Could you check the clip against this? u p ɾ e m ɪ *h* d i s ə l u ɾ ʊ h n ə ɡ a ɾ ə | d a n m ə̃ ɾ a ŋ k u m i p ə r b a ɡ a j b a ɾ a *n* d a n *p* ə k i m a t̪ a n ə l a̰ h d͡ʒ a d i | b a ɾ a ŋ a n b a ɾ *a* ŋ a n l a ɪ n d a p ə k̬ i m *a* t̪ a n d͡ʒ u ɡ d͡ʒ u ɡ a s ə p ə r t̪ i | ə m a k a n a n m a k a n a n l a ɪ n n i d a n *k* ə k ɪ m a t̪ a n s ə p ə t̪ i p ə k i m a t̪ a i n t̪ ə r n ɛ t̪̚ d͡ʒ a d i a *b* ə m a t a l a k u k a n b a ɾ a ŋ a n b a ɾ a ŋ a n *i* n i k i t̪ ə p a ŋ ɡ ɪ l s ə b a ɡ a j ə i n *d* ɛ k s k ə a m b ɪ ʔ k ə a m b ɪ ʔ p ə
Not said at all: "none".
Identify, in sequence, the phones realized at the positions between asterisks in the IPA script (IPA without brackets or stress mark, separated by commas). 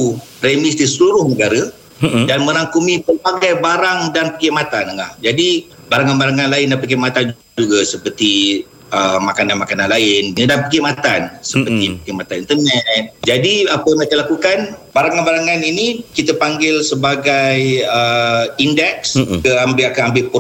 s, ŋ, p, a, a, p, p, i, d